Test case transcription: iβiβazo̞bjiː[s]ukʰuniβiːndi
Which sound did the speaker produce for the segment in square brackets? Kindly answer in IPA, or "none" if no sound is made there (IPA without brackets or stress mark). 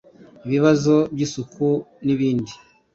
s